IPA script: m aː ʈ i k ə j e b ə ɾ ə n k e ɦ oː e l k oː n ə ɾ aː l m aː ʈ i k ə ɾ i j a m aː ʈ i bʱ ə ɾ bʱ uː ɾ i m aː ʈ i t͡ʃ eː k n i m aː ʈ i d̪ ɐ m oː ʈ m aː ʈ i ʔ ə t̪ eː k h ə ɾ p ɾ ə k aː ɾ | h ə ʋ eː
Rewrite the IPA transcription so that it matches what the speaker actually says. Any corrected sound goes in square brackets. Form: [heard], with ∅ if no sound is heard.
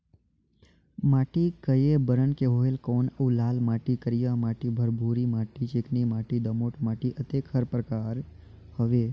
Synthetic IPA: m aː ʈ i k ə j e b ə ɾ ə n k e ɦ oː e l k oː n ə [l] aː l m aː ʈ i k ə ɾ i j a m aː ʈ i bʱ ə ɾ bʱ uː ɾ i m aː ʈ i t͡ʃ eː k n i m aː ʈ i d̪ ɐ m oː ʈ m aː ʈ i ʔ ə t̪ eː k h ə ɾ p ɾ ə k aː ɾ | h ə ʋ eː

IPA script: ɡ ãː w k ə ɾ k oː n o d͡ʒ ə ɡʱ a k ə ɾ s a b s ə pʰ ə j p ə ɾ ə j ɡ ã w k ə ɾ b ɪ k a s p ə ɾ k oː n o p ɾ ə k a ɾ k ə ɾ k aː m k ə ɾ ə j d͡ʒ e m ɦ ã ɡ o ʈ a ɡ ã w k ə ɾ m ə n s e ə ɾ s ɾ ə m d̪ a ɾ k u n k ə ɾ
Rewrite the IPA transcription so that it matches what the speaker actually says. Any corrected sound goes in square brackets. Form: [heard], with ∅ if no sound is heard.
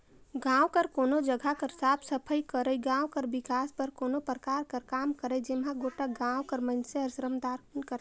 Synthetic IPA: ɡ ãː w k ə ɾ k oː n o d͡ʒ ə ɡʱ a k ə ɾ s a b s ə pʰ ə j [k] ə ɾ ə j ɡ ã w k ə ɾ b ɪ k a s p ə ɾ k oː n o p ɾ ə k a ɾ k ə ɾ k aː m k ə ɾ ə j d͡ʒ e m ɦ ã ɡ o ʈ a ɡ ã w k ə ɾ m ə n s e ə ɾ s ɾ ə m d̪ a ɾ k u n k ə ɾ

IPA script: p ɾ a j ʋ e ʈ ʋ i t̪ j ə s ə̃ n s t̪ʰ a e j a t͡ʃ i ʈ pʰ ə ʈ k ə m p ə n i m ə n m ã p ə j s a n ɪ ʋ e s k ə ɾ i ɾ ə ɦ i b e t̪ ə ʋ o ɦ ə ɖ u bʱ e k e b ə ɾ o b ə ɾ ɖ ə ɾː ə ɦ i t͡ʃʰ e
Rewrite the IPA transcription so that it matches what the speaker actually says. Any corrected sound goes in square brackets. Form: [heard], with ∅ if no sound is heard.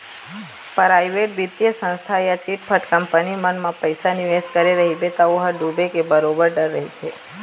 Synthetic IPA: p ɾ a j ʋ e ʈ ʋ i t̪ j ə s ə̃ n s t̪ʰ a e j a t͡ʃ i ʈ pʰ ə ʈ k ə m p ə n i m ə n m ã p ə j s a n [i] ʋ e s k ə ɾ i ɾ ə ɦ i b e t̪ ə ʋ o ɦ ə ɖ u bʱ e k e b ə ɾ o b ə ɾ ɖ ə ɾː ə ɦ i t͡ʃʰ e

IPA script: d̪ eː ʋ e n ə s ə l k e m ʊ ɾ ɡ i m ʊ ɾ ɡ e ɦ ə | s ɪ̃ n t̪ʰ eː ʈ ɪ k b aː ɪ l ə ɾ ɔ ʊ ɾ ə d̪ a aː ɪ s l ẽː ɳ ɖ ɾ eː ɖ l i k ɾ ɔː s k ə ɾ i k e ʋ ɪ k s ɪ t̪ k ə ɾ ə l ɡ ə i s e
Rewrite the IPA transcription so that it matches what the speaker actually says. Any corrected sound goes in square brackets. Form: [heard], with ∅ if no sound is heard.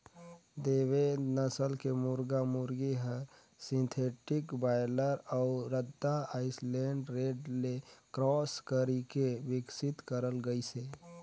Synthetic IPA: d̪ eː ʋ e n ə s ə l k e m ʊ ɾ ɡ [a] m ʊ ɾ ɡ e ɦ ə | s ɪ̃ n t̪ʰ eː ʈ ɪ k b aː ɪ l ə ɾ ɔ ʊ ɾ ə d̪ a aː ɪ s l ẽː ɳ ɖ ɾ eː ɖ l [e] k ɾ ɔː s k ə ɾ i k e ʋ ɪ k s ɪ t̪ k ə ɾ ə l ɡ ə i s e

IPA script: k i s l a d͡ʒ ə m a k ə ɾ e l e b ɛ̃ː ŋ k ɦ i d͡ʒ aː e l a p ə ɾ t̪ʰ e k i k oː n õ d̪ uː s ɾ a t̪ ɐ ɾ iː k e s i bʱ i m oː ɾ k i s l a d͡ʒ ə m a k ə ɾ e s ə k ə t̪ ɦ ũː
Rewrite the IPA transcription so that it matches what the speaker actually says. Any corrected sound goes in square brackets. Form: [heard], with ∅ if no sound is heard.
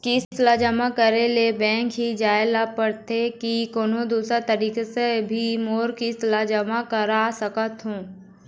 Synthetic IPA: k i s l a d͡ʒ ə m a k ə ɾ e l e b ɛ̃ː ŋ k ɦ i d͡ʒ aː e l a p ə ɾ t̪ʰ e k i k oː n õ d̪ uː s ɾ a t̪ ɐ ɾ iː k e s [e] bʱ i m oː ɾ k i s l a d͡ʒ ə m a k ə ɾ [a] s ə k ə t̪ ɦ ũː

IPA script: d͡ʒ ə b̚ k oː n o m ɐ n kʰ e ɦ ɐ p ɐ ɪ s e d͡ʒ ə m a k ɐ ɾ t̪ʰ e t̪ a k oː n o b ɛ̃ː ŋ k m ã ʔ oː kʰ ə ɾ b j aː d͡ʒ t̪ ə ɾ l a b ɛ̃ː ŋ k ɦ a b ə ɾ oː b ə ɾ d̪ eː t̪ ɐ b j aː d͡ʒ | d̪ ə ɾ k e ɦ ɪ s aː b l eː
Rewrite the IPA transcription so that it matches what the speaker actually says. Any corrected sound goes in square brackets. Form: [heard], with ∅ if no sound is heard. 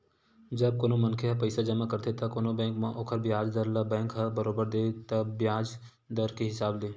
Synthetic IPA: d͡ʒ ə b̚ k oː n o m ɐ n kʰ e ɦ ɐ p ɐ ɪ s [a] d͡ʒ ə m a k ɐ ɾ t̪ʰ e t̪ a k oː n o b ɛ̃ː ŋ k m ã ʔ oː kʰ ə ɾ b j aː d͡ʒ [d̪] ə ɾ l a b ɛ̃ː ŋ k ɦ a b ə ɾ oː b ə ɾ d̪ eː t̪ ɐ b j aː d͡ʒ | d̪ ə ɾ k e ɦ ɪ s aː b l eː

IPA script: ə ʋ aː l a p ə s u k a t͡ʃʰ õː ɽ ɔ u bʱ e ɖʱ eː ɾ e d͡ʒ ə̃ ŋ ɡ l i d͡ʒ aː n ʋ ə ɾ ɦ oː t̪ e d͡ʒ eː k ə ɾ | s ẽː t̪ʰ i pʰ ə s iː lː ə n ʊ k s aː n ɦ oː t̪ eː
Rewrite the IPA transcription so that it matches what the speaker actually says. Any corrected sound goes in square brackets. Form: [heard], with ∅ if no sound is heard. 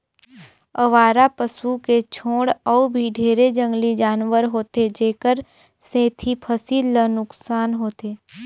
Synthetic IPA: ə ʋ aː [ɾ] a p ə s u k [e] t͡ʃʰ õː ɽ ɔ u bʱ [i] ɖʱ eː ɾ e d͡ʒ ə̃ ŋ ɡ l i d͡ʒ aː n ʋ ə ɾ ɦ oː t̪ e d͡ʒ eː k ə ɾ | s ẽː t̪ʰ i pʰ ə s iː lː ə n ʊ k s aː n ɦ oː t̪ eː

